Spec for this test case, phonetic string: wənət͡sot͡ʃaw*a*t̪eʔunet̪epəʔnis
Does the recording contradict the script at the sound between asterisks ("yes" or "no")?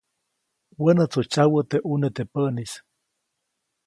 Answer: yes